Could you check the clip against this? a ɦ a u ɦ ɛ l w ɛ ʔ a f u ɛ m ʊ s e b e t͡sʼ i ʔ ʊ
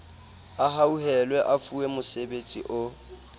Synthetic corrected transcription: a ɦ a u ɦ ɛ l w ɛ ʔ a f u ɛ m ʊ s e b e t͡sʼ i ʔ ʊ